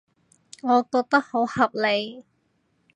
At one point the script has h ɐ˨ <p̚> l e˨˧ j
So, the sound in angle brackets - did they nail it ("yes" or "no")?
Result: yes